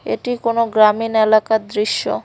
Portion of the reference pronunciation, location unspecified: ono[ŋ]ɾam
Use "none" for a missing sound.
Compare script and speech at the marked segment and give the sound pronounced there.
ɡ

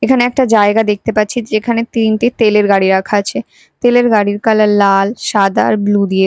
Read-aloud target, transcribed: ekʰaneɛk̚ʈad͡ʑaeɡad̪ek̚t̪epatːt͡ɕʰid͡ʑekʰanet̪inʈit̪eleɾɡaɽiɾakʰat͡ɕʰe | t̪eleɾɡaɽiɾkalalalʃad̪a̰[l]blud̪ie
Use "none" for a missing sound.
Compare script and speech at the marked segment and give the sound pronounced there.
ɾ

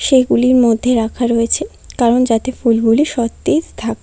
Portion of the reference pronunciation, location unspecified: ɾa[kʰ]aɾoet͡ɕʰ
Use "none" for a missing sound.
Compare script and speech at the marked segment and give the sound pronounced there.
kʰ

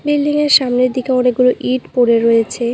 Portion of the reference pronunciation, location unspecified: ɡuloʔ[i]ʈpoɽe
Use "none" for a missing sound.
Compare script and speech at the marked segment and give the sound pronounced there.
i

